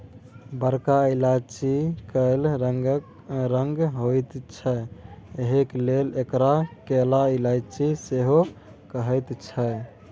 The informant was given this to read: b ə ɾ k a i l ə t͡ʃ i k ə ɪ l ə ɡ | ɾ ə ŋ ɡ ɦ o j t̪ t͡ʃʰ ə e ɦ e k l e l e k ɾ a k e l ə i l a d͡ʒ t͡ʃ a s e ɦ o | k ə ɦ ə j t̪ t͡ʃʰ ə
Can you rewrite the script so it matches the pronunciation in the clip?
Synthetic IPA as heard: b ə ɾ k a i l a t͡ʃ i k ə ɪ l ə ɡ | ɾ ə ŋ ɡ ɦ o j t̪ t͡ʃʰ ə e ɦ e k l e l e k ɾ a k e l a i l a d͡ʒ t͡ʃ i s e ɦ o | k ə ɦ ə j t̪ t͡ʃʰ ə